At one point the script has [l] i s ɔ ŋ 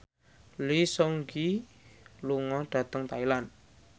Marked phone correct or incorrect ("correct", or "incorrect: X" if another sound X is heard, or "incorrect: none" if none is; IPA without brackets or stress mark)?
correct